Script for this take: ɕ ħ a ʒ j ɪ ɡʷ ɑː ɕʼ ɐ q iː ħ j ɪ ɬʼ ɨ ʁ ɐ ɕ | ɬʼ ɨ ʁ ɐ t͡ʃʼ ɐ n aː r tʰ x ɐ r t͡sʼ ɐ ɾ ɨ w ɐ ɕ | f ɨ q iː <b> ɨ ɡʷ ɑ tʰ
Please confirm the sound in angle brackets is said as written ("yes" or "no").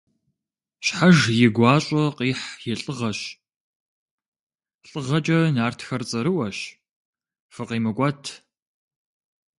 no